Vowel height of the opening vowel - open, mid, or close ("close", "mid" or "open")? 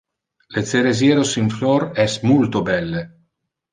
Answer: mid